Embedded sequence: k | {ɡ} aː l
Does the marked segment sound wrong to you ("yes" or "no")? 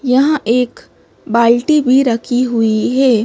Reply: yes